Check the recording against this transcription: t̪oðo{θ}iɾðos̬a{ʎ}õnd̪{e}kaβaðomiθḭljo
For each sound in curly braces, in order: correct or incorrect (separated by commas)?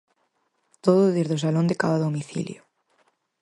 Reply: incorrect, incorrect, correct